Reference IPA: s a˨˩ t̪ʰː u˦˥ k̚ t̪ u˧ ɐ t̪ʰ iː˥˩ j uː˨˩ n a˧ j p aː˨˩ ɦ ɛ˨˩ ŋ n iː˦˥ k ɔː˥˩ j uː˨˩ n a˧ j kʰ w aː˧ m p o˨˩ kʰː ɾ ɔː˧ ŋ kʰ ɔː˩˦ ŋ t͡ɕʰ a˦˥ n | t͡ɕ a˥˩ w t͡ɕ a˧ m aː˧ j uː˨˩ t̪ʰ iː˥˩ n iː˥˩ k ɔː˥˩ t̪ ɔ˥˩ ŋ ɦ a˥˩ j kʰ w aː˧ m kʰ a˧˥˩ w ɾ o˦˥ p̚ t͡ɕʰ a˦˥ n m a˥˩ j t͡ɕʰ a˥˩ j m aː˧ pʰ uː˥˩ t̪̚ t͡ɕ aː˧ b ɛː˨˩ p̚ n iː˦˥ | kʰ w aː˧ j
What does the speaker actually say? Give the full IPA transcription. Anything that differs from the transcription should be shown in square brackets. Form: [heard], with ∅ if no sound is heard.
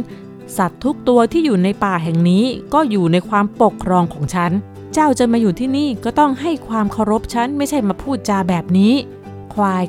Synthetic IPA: s a˨˩ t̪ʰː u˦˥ k̚ t̪ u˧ ɐ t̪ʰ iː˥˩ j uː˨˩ n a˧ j p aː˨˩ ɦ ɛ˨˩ ŋ n iː˦˥ k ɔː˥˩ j uː˨˩ n a˧ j kʰ w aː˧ m p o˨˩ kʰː ɾ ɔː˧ ŋ kʰ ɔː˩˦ ŋ t͡ɕʰ a˦˥ n | t͡ɕ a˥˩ w t͡ɕ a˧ m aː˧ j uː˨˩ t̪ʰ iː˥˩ n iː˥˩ k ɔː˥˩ t̪ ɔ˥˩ ŋ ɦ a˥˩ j kʰ w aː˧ m kʰ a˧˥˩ w ɾ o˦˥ p̚ t͡ɕʰ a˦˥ n m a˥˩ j t͡ɕʰ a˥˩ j m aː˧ pʰ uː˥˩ t̪̚ t͡ɕ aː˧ b ɛː˨˩ p̚ n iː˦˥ | kʰ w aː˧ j